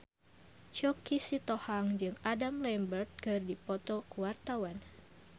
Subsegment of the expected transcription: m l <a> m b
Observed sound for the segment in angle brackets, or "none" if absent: ɛ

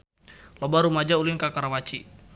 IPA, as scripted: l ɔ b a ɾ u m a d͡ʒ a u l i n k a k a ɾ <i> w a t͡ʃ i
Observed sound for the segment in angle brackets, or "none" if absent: a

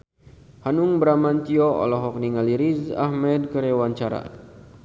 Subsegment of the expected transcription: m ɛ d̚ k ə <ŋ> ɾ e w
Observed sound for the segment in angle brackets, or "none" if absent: none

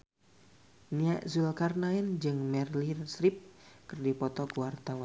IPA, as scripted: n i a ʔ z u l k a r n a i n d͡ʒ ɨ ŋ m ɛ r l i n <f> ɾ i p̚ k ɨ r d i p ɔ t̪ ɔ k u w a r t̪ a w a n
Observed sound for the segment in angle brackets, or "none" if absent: s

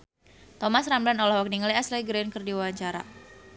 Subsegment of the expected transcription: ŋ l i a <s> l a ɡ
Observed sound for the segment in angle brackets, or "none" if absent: s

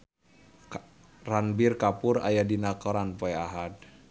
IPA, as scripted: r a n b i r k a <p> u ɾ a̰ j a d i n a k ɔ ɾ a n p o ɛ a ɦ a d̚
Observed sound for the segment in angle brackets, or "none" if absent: p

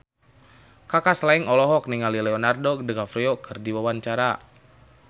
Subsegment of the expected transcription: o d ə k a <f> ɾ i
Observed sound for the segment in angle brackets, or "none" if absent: f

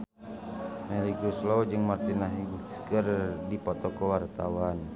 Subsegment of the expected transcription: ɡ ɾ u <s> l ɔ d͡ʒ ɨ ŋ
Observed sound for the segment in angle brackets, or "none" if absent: s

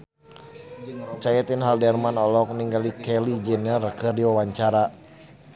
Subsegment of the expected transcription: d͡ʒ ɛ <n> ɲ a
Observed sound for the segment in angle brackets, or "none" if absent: n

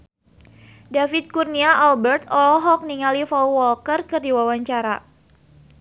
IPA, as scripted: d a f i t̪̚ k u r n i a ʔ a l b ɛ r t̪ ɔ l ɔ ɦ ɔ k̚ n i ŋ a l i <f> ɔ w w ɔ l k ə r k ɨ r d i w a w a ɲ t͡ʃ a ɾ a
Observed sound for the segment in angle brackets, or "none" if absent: f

